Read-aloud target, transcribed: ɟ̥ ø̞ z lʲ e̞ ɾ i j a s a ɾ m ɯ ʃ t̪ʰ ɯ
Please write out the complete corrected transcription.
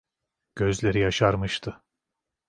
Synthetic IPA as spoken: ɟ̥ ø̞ z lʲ e̞ ɾ i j a ʃ a ɾ m ɯ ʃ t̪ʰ ɯ